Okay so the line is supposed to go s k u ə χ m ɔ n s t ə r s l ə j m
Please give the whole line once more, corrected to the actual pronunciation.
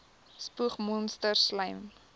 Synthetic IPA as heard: s p u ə χ m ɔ n s t ə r s l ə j m